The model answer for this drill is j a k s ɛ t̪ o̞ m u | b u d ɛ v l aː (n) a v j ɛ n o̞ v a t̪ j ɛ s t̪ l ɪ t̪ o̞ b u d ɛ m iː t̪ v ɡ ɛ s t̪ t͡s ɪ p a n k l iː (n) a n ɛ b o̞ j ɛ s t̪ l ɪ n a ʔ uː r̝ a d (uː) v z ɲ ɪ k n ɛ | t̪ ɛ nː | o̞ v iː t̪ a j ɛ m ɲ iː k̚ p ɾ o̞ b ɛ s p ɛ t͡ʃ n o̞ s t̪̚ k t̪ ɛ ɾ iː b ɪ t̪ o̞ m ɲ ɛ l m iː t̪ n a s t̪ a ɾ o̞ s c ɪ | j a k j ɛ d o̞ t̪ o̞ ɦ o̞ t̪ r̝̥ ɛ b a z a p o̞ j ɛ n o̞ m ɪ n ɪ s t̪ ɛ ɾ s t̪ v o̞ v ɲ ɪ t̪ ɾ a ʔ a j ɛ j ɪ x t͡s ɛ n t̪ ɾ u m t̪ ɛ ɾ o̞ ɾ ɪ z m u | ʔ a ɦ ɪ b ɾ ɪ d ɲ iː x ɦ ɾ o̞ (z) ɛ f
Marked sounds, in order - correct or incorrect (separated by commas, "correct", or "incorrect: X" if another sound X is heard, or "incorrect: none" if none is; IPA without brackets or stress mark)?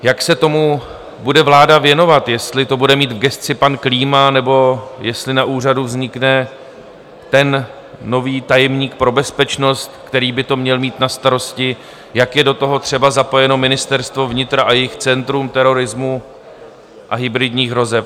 incorrect: d, incorrect: m, incorrect: u, correct